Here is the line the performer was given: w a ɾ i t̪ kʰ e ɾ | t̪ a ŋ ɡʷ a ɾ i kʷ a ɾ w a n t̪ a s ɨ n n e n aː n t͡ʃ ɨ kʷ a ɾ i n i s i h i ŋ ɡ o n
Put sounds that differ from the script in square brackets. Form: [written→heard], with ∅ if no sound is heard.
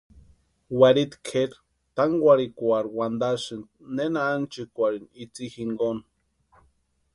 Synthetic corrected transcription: w a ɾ i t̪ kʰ e ɾ | t̪ a ŋ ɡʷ a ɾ i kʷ a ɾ w a n [t̪→d̪] a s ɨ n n e n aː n t͡ʃ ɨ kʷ a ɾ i n i [s→t͡s] i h i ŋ ɡ o n